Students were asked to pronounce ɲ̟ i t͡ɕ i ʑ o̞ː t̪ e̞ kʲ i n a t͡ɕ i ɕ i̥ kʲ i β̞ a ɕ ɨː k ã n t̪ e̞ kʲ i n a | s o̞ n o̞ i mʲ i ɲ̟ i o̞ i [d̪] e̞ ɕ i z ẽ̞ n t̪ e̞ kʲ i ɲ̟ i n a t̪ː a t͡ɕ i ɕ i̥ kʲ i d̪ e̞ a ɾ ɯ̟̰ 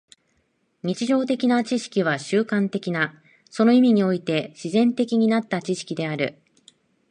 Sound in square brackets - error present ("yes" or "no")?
yes